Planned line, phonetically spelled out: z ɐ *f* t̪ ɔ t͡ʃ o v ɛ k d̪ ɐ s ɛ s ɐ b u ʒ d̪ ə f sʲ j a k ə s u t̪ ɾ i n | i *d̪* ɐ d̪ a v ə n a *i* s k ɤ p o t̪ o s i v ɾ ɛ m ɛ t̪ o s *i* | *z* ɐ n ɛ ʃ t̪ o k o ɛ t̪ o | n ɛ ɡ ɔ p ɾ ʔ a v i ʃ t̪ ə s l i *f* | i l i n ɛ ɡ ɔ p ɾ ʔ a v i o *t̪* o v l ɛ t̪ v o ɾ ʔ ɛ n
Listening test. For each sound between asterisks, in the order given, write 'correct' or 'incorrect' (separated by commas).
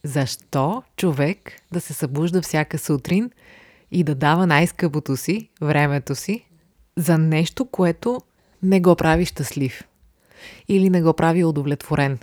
incorrect, correct, incorrect, correct, correct, correct, incorrect